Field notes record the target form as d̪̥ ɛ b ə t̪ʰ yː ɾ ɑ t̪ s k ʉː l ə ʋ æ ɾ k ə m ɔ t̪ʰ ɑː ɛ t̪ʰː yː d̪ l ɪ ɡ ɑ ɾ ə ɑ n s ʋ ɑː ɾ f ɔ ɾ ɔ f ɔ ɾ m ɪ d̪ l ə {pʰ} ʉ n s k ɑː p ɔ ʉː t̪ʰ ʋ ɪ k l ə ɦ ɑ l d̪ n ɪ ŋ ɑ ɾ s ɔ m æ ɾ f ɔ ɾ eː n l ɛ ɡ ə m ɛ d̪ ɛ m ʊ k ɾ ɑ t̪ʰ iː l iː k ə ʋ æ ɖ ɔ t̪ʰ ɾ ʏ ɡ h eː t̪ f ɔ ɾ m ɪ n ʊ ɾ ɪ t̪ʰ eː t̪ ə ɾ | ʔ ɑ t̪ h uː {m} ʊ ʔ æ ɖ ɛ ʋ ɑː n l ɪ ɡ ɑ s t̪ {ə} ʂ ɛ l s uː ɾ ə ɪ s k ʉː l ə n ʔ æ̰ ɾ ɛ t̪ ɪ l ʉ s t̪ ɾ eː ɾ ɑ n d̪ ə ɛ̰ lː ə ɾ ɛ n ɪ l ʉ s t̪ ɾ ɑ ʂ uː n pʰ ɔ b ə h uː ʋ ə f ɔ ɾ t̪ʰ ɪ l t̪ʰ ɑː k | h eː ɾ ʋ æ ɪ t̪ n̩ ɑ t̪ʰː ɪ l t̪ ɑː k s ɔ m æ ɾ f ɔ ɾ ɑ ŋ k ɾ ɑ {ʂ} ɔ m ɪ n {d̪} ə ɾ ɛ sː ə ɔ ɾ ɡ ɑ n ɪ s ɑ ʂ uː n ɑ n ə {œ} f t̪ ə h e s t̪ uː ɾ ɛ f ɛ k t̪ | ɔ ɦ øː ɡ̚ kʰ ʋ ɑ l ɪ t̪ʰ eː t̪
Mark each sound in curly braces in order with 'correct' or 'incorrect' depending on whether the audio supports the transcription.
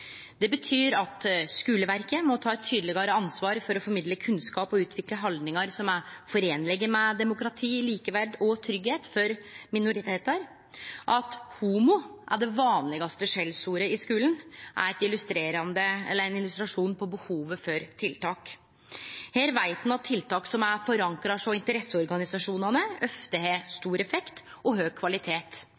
incorrect, correct, correct, correct, incorrect, correct

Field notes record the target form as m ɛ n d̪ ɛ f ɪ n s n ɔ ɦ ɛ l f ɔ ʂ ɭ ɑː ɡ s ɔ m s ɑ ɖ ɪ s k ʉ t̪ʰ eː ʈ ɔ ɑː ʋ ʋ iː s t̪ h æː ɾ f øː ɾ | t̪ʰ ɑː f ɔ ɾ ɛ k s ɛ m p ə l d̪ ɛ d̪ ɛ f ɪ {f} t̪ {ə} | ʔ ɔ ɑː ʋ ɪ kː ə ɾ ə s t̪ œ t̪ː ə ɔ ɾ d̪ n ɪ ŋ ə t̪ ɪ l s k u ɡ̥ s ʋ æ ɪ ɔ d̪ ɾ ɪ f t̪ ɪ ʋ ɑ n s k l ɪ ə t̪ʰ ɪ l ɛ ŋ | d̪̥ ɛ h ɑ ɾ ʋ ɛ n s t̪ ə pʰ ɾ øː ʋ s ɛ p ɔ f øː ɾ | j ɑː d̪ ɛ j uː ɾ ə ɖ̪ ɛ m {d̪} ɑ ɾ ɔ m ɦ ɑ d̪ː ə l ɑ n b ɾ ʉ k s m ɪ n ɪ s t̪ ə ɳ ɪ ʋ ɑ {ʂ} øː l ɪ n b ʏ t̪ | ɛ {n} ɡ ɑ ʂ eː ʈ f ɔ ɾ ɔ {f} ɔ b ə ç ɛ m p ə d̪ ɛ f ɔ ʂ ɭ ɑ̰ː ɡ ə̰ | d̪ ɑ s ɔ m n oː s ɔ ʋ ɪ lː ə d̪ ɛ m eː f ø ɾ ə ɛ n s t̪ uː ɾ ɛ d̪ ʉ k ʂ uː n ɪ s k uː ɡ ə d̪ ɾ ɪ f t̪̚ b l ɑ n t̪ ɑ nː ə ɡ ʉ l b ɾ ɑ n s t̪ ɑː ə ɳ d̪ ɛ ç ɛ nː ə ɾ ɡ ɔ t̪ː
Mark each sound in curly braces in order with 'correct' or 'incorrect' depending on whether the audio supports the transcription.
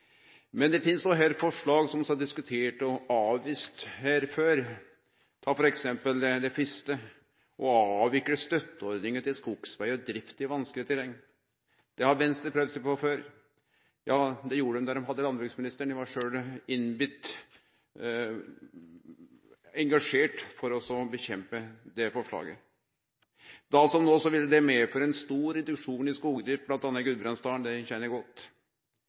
incorrect, correct, correct, correct, incorrect, incorrect

